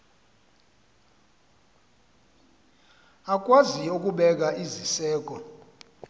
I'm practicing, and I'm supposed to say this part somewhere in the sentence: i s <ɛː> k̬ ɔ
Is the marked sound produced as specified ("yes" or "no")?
yes